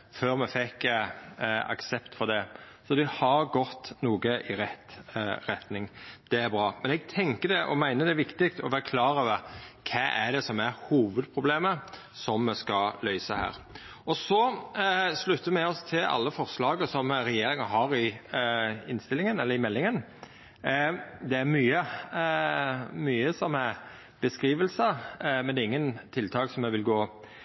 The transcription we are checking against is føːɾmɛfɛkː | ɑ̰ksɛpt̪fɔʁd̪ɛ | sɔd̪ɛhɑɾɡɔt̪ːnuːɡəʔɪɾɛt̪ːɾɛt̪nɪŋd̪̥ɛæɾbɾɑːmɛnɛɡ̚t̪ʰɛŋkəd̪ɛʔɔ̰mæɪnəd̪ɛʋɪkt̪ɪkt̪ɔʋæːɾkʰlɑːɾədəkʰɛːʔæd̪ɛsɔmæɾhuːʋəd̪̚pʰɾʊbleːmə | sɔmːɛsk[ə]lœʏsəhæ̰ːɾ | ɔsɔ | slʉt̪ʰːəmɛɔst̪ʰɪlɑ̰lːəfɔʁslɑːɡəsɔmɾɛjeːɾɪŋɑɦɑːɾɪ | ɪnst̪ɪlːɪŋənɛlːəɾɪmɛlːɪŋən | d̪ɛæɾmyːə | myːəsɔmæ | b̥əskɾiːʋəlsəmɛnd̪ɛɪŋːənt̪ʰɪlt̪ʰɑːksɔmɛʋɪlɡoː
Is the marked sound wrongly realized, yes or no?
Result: yes